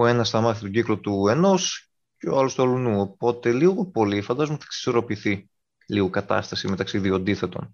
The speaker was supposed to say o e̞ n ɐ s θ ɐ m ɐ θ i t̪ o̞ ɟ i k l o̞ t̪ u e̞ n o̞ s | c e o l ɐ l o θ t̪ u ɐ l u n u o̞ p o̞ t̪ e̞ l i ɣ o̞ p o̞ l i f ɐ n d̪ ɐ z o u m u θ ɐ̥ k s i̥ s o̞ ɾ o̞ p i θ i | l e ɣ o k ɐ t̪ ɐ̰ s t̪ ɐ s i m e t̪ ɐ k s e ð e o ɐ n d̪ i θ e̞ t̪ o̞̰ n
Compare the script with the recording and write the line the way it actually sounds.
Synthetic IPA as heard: o e̞ n ɐ s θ ɐ m ɐ θ i t̪ o̞ ɟ i k l o̞ t̪ u e̞ n o̞ s | c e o ɐ l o s t̪ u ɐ l u n u o̞ p o̞ t̪ e̞ l i ɣ o̞ p o̞ l i f ɐ n d̪ ɐ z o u m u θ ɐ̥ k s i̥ s o̞ ɾ o̞ p i θ i | l i ɣ o k ɐ t̪ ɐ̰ s t̪ ɐ s i m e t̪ ɐ k s i ð i o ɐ n d̪ i θ e̞ t̪ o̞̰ n